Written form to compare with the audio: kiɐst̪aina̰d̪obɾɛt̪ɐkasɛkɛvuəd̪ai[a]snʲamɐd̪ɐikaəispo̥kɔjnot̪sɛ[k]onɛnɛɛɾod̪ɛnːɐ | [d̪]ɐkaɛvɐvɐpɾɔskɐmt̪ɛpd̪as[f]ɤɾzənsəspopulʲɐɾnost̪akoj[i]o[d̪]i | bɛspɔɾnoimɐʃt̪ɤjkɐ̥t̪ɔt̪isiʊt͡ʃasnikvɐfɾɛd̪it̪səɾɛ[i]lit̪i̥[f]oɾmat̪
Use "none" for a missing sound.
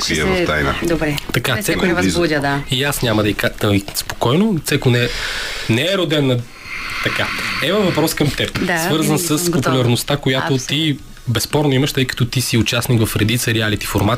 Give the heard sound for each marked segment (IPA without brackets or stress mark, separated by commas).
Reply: a, k, t̪, v, a, t̪, a, f